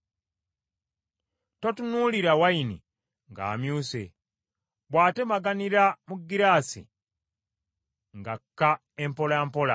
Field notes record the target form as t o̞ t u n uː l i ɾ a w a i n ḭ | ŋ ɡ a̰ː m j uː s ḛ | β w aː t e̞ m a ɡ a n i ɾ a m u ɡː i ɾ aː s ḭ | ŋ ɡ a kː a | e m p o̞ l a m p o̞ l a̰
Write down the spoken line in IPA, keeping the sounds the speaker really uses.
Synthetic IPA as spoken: t o̞ t u n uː l i ɾ a w a i n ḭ | ŋ ɡ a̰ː m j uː s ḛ | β w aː t e̞ m a ɡ a n i ɾ a m u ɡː i ɾ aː s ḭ | ŋ ɡ a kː a | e m p o̞ l a m p o̞ l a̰

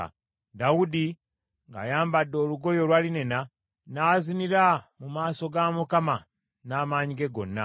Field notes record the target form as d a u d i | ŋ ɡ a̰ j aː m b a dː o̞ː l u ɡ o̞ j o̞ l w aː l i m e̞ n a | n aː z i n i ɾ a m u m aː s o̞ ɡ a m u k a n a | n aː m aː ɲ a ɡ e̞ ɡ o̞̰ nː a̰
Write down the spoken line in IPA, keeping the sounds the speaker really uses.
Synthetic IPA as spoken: d a u d i | ŋ ɡ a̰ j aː m b a dː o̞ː l u ɡ o̞ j o̞ l w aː l i n e̞ n a | n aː z i n i ɾ a m u m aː s o̞ ɡ a m u k a m a | n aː m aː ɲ i ɡ e̞ ɡ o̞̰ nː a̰

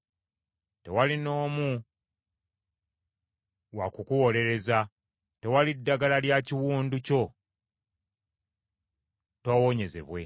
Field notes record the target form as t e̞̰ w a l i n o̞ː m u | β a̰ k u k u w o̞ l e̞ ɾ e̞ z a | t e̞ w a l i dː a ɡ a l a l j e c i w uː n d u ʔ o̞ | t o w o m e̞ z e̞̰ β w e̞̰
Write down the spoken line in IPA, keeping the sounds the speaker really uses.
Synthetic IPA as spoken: t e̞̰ w a l i n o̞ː m u | w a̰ k u k u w o̞ l e̞ ɾ e̞ z a | t e̞ w a l i dː a ɡ a l a l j a c i w uː n d u c o̞ | t o w o ɲ e̞ z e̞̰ β w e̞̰

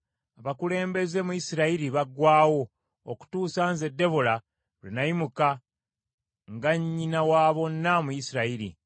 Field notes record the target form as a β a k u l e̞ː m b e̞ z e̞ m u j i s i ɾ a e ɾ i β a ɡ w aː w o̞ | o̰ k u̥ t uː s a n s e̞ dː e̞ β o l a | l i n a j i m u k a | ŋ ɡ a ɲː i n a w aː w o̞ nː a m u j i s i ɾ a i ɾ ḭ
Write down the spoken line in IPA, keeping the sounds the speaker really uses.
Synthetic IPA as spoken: a β a k u l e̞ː m b e̞ z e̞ m u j i s i ɾ a i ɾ i β a ɡ w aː w o̞ | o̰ k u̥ t uː s a n z e̞ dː e̞ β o l a | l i n a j i m u k a | ŋ ɡ a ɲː i n a w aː β o̞ nː a m u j i s i ɾ a i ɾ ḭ

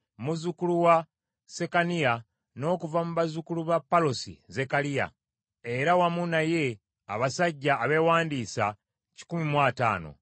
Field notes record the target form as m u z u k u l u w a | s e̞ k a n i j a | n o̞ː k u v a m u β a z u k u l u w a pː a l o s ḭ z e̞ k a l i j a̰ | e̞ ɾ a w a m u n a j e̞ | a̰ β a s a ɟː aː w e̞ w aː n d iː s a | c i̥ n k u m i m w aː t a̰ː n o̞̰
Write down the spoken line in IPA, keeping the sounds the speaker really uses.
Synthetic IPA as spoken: m u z u k u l u w a | s e̞ k a n i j a | n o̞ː k u v a m u β a z u k u l u β a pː a l o s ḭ z e̞ k a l i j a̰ | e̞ ɾ a w a m u n a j e̞ | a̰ β a s a ɟː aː β e̞ w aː n d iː s a | c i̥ k u m i m w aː t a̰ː n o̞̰

